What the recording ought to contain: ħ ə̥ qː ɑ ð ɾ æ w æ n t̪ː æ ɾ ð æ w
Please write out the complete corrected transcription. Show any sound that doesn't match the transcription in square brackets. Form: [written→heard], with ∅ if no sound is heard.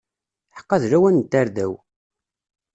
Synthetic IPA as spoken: ħ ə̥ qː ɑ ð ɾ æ w æ n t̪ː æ ɾ ð æ w

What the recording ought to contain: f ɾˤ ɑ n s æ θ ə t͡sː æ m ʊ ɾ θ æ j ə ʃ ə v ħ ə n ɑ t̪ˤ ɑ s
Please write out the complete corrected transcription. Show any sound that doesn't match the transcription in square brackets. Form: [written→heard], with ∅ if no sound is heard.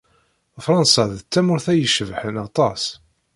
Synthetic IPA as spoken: f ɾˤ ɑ n s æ [θ→ð] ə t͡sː æ m ʊ ɾ θ æ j ə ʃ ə v ħ ə n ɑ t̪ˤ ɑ s

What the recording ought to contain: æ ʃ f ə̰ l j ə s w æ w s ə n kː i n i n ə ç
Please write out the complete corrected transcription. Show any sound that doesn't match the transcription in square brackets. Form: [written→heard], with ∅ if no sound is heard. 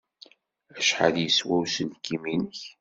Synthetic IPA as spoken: æ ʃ [f→ħ] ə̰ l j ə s w æ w s ə n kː i [n→m] i n ə ç

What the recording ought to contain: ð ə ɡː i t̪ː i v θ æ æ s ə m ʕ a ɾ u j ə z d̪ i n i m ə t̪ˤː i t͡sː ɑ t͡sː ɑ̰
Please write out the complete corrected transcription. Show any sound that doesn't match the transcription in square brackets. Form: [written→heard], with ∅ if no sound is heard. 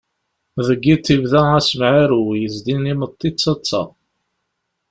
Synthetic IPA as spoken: ð ə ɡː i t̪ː i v [θ→ð] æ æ s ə m ʕ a ɾ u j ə z d̪ i n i m ə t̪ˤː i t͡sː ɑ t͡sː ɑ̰

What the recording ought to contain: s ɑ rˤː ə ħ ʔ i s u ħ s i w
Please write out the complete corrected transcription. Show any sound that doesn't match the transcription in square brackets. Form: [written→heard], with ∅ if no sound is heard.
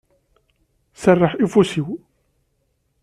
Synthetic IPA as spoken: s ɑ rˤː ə ħ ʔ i [s→f] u [ħ→∅] s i w

